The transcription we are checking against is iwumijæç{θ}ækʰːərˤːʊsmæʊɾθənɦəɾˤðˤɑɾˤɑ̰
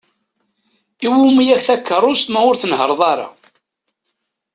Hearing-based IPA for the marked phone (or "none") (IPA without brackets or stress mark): θ